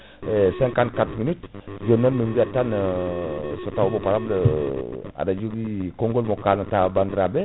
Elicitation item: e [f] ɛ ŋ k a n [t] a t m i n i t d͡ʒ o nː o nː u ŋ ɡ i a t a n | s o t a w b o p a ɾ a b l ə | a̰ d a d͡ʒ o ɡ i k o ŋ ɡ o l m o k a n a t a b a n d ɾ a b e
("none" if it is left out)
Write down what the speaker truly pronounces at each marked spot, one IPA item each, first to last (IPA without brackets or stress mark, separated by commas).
s, k